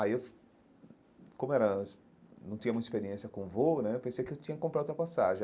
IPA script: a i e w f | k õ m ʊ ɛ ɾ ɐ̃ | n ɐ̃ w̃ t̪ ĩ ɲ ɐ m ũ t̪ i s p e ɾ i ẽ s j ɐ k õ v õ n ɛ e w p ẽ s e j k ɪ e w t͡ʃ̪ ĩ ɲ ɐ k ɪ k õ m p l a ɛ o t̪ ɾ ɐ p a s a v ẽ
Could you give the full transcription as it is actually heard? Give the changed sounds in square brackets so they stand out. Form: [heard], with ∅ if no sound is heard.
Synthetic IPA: a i e w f | k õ m ʊ ɛ ɾ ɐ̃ | n ɐ̃ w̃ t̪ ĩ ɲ ɐ m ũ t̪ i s p e ɾ i ẽ s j ɐ k õ v [o] n ɛ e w p ẽ s e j k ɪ e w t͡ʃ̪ ĩ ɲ ɐ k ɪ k õ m p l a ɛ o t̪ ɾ ɐ p a s a [ʒ] ẽ